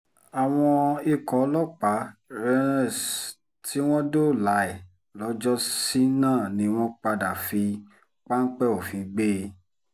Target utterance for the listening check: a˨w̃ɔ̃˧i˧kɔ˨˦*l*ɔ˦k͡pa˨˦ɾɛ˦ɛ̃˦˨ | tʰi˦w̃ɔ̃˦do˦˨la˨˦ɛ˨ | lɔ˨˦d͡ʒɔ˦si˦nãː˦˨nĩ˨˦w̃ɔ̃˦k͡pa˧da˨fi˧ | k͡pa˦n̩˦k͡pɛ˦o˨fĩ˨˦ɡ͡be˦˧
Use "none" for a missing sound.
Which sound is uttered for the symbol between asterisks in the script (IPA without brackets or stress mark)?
l